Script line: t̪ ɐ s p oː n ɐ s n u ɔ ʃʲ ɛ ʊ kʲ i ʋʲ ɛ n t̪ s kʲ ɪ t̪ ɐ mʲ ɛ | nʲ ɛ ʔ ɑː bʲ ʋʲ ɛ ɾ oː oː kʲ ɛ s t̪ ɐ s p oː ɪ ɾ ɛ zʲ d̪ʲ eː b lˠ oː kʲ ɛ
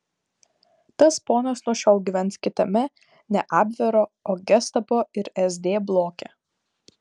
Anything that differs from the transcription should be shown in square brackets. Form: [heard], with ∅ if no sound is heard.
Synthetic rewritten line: t̪ ɐ s p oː n ɐ s n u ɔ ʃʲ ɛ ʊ [ɡʲ] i ʋʲ ɛ n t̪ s kʲ ɪ t̪ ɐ mʲ ɛ | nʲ ɛ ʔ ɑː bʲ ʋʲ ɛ ɾ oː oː [ɡʲ] ɛ s t̪ ɐ [∅] p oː ɪ ɾ ɛ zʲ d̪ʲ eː b lˠ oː kʲ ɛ